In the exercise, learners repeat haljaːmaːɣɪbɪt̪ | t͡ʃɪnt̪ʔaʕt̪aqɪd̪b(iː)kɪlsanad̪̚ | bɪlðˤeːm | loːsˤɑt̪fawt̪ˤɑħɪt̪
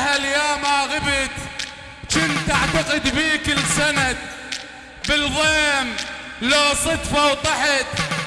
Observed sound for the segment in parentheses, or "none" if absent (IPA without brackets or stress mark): iː